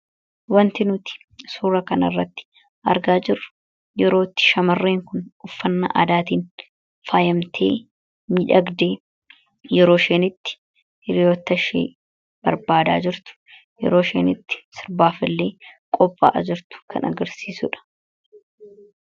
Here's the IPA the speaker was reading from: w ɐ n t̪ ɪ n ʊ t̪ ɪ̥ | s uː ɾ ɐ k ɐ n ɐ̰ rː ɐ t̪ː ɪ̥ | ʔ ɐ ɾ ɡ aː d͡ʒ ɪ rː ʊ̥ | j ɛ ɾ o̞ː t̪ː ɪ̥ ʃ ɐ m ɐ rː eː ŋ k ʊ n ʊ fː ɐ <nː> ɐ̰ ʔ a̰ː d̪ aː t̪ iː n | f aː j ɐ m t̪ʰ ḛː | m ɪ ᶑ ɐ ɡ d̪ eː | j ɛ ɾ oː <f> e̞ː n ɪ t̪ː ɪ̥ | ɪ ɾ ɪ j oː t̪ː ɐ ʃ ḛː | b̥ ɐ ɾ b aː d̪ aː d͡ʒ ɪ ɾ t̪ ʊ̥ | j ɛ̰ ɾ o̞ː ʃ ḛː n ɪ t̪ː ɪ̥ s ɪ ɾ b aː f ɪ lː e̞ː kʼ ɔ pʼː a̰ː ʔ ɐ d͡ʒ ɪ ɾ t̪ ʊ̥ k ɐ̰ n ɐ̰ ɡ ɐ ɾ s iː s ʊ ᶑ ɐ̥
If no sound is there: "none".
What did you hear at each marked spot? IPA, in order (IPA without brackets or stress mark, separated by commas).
nː, ʃ